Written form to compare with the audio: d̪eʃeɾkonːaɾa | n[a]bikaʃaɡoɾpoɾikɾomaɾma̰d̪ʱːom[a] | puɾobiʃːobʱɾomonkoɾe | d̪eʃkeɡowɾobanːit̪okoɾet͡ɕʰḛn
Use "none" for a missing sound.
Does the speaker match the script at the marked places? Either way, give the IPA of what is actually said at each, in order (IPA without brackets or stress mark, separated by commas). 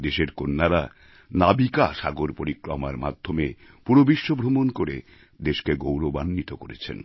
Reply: a, e